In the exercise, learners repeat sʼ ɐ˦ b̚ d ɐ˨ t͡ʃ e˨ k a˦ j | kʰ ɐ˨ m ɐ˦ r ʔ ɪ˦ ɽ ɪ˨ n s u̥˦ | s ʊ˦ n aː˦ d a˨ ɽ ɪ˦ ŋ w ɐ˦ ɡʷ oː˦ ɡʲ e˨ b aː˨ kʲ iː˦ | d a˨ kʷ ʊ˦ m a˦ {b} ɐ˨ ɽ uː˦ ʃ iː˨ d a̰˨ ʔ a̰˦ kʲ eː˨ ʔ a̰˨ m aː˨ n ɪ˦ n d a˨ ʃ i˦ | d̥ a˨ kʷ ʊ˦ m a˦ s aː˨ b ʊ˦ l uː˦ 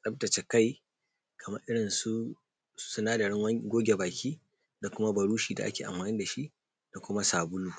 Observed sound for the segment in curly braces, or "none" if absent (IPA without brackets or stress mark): b